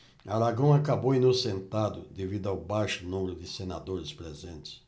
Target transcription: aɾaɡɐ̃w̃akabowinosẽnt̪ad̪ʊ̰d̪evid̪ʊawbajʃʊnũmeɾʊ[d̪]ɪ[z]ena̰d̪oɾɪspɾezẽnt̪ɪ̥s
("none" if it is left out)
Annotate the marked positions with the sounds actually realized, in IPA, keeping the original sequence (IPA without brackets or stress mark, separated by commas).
d̪, s